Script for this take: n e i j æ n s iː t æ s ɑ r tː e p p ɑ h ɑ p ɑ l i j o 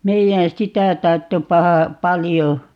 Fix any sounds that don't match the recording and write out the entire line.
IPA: m e i j æ n s i t æ t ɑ r tː e p p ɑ h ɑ p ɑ l i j o